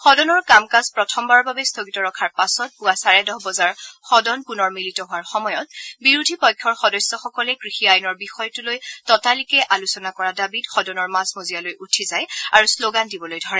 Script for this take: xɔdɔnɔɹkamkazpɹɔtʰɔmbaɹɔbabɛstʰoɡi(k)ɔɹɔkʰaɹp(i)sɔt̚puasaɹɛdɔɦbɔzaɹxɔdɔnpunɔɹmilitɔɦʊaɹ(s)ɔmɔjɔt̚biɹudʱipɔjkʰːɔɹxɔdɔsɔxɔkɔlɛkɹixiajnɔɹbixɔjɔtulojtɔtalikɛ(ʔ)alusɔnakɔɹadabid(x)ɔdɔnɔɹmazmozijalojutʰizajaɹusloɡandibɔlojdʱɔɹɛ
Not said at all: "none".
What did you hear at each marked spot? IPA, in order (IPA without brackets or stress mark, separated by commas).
t, a, x, ʔ, x